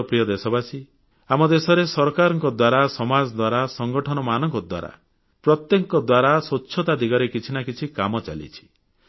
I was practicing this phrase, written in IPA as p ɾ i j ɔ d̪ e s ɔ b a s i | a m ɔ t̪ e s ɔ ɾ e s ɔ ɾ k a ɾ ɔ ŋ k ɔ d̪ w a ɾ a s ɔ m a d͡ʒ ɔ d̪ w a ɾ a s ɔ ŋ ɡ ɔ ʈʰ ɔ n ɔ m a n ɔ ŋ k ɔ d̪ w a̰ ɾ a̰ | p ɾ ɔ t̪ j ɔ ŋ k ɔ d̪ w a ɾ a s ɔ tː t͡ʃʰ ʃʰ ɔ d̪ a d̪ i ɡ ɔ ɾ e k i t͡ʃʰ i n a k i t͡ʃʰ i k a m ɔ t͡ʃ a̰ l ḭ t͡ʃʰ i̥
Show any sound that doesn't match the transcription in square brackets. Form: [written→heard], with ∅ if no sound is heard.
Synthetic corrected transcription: p ɾ i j ɔ d̪ e s ɔ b a s i | a m ɔ [t̪→d̪] e s ɔ ɾ e s ɔ ɾ k a ɾ ɔ ŋ k ɔ d̪ w a ɾ a s ɔ m a d͡ʒ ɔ d̪ w a ɾ a s ɔ ŋ ɡ ɔ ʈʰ ɔ n ɔ m a n ɔ ŋ k ɔ d̪ w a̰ ɾ a̰ | p ɾ ɔ t̪ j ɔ ŋ k ɔ d̪ w a ɾ a s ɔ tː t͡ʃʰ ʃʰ ɔ [d̪→t̪] a d̪ i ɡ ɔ ɾ e k i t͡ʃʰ i n a k i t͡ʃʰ i k a m ɔ t͡ʃ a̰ l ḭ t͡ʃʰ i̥